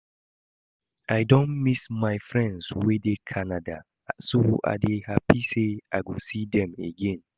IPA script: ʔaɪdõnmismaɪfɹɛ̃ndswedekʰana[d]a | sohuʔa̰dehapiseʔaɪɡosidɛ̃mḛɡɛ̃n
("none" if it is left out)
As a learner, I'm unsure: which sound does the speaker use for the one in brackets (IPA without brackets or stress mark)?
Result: d